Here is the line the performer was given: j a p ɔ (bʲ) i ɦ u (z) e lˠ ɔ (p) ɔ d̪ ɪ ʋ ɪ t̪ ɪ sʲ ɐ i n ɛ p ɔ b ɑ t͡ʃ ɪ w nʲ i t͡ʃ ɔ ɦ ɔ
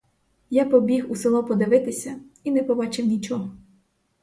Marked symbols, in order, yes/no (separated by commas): yes, no, yes